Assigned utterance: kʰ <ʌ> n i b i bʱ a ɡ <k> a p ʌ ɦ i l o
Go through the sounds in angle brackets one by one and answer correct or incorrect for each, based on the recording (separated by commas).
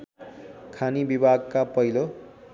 incorrect, correct